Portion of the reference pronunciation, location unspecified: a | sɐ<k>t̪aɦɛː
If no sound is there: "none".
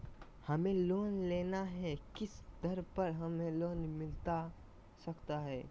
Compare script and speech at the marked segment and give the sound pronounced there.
k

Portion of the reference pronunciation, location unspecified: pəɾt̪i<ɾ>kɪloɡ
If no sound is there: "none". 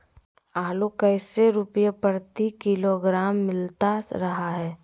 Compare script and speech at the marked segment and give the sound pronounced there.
none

